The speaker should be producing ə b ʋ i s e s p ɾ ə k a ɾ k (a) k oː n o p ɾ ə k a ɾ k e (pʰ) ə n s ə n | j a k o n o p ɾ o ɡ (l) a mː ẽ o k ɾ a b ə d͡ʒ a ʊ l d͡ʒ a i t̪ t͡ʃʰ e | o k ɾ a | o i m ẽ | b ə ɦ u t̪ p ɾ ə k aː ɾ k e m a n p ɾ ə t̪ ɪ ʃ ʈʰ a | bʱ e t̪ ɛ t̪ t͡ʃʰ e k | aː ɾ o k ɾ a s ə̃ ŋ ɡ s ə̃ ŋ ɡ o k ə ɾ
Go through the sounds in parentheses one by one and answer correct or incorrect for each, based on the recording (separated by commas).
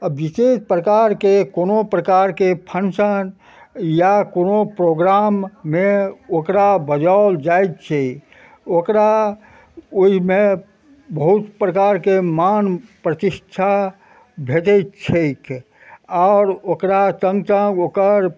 incorrect, correct, incorrect